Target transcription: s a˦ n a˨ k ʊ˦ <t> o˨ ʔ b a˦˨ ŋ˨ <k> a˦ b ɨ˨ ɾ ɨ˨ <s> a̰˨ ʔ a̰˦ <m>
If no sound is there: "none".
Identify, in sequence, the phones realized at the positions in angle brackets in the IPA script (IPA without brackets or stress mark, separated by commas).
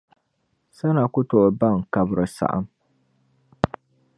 t, k, s, m